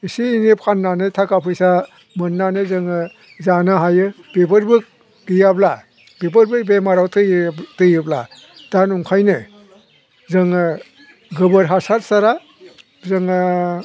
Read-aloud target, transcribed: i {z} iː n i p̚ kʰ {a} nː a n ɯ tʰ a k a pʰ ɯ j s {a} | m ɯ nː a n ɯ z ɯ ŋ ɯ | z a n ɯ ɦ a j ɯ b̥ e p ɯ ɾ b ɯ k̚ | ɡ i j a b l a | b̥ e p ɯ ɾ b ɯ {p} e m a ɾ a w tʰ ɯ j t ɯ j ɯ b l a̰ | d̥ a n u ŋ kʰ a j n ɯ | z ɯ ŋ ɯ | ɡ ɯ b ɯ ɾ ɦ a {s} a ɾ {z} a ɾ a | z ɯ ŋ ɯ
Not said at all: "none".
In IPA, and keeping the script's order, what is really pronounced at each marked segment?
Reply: s, a, a, b, s, s

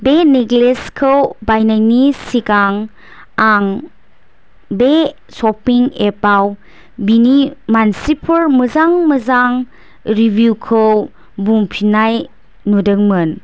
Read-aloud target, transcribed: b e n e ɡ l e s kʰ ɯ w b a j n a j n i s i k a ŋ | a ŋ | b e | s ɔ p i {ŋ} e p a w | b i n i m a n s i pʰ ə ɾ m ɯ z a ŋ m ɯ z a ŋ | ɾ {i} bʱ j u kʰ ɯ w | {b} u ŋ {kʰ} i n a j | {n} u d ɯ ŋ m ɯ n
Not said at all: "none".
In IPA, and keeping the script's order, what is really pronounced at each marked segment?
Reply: ŋ, i, b, pʰ, n

